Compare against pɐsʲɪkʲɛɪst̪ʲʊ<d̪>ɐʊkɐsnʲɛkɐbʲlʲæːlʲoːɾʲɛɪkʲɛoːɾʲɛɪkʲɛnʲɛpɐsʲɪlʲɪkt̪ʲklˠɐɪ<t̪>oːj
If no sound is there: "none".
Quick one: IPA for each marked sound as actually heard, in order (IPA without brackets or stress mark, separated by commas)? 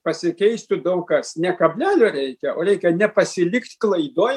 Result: d̪, d̪